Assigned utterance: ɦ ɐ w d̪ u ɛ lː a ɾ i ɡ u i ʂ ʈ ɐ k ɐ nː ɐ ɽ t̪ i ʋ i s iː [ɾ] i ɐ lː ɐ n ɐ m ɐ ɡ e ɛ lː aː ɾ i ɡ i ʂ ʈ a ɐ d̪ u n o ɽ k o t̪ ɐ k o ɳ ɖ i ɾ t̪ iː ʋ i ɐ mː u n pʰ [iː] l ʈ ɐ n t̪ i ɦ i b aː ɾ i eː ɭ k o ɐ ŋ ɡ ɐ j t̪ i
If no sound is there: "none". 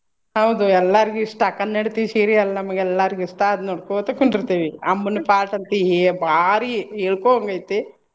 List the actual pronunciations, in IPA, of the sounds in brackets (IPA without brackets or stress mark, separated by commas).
ɾ, aː